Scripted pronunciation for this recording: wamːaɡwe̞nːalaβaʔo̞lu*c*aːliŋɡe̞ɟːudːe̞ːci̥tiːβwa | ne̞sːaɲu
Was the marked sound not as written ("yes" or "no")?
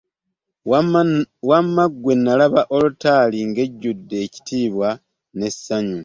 yes